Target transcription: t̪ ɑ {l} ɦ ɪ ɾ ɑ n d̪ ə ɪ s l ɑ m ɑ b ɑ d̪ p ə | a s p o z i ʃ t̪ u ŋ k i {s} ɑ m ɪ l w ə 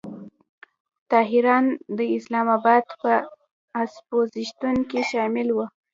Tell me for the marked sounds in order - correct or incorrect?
incorrect: none, incorrect: ʃ

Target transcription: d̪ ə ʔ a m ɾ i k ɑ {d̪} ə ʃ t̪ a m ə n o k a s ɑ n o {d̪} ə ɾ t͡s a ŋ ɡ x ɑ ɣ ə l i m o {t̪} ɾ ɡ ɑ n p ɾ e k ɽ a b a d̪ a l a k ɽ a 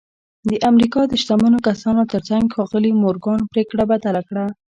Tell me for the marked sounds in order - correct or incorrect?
correct, incorrect: t̪, incorrect: none

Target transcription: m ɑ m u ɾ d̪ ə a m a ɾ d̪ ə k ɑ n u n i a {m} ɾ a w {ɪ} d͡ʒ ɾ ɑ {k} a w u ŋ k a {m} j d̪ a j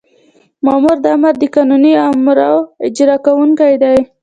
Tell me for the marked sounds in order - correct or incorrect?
correct, correct, correct, incorrect: none

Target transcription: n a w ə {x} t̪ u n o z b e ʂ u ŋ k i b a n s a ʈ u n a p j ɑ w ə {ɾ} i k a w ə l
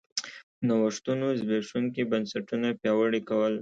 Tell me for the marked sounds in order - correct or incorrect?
incorrect: ʂ, incorrect: ɽ

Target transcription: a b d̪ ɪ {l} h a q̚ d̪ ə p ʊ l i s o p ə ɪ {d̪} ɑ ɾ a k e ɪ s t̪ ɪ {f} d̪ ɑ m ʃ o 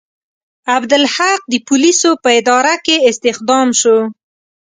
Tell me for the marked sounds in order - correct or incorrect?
correct, correct, incorrect: x

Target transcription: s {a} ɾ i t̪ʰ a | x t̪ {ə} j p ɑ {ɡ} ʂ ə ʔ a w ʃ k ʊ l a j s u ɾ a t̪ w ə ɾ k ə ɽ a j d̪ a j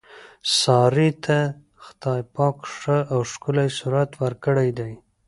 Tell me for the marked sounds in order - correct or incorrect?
incorrect: ɑ, incorrect: ɑ, incorrect: k

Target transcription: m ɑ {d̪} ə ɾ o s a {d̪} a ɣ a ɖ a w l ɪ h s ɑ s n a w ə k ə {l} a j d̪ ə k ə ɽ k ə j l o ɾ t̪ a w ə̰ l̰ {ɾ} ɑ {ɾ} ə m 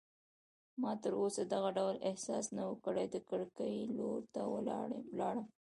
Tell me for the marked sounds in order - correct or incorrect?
incorrect: t̪, correct, incorrect: ɽ, incorrect: l, incorrect: ɽ

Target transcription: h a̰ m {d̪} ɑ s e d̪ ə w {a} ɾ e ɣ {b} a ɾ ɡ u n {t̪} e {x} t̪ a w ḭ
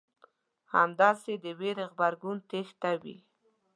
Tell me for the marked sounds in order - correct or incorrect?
correct, incorrect: e, correct, correct, correct

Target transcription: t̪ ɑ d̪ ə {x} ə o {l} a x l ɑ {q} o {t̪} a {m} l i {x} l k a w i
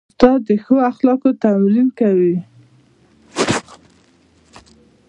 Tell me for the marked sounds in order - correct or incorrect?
correct, incorrect: none, incorrect: k, correct, correct, incorrect: none

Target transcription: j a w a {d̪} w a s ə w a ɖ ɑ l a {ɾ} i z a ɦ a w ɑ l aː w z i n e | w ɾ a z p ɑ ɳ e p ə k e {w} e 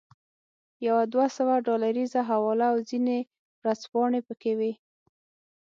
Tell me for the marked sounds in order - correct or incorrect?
correct, correct, correct

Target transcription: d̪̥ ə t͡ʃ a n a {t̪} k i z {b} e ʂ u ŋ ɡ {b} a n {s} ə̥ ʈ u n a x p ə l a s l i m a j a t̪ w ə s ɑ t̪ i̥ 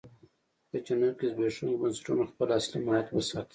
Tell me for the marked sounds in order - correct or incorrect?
incorrect: none, correct, correct, correct

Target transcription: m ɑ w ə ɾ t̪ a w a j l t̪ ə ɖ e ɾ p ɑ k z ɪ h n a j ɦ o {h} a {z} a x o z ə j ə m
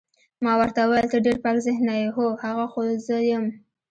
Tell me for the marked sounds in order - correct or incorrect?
correct, incorrect: ɣ

